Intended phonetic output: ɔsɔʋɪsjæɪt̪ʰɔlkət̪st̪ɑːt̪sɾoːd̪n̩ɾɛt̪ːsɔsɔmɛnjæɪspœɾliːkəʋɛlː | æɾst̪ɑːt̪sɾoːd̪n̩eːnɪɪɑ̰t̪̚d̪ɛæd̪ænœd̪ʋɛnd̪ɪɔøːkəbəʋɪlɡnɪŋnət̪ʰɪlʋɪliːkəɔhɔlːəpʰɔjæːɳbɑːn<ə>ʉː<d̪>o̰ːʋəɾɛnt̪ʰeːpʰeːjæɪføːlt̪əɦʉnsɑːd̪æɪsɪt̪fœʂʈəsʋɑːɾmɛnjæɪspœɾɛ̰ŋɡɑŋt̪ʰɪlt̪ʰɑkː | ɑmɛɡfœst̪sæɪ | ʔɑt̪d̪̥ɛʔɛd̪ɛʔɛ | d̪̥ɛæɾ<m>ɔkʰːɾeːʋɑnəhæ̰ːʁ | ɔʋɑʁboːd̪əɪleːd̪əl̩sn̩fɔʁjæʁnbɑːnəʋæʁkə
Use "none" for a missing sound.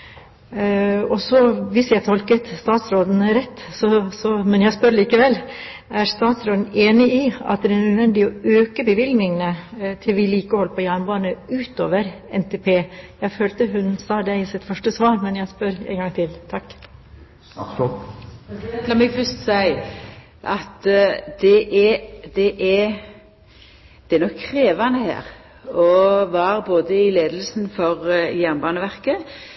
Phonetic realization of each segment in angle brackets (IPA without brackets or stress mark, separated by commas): ə, t̪, n